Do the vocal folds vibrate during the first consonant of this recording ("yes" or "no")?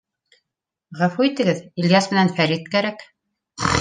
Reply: yes